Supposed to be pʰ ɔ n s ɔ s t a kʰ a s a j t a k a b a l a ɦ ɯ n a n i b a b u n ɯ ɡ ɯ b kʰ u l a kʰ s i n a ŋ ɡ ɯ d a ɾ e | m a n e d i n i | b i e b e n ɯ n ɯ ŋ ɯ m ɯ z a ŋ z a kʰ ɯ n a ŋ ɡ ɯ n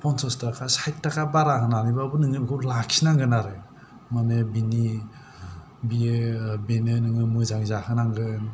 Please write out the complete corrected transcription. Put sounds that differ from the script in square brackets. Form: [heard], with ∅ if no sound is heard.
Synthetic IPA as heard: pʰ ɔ n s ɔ s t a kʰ a s a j t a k a b a [ɾ] a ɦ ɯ n a n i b a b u n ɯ [ŋ] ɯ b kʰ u l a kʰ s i n a ŋ ɡ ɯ [n] a ɾ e | m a n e [b] i n i | b i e b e n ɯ n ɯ ŋ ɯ m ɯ z a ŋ z a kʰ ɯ n a ŋ ɡ ɯ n